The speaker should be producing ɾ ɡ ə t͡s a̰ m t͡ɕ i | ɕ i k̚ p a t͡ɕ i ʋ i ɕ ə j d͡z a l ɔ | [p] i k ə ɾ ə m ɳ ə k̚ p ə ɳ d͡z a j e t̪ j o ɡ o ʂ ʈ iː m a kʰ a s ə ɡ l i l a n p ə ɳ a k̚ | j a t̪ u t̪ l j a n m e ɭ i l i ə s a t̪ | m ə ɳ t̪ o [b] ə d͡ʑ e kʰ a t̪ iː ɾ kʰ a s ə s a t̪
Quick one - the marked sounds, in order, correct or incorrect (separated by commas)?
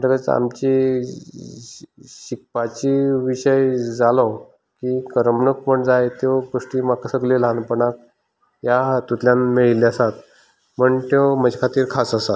incorrect, incorrect